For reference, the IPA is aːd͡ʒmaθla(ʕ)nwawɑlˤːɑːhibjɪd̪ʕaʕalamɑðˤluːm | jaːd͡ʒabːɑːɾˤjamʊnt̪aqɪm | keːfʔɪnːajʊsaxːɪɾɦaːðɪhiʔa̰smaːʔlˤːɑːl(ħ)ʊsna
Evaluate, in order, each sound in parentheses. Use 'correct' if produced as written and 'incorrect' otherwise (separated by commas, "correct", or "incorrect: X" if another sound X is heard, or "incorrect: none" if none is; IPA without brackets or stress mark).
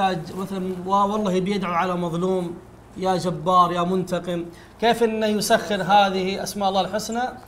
incorrect: none, correct